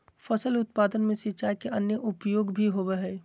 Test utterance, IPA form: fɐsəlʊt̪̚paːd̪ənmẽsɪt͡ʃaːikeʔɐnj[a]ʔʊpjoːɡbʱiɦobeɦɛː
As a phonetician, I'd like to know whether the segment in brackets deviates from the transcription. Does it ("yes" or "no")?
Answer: yes